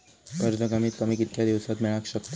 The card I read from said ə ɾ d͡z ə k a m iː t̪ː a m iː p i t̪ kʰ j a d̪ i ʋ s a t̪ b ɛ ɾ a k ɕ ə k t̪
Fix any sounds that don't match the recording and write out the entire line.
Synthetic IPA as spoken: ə ɾ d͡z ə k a m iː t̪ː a m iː k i t̪ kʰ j a d̪ i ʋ s a t̪ m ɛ ɭ a k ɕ ə k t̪